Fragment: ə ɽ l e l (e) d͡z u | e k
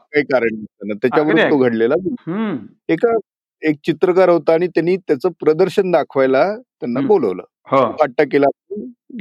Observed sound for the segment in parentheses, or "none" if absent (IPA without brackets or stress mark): a